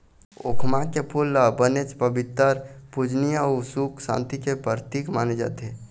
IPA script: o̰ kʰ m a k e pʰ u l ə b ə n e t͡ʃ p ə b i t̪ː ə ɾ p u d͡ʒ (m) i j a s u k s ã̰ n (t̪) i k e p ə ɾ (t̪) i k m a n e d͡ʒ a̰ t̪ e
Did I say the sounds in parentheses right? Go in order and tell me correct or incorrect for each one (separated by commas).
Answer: incorrect, correct, correct